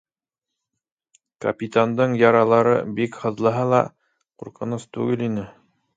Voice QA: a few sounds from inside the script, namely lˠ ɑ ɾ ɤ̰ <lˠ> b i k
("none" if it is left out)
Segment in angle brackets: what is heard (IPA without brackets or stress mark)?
none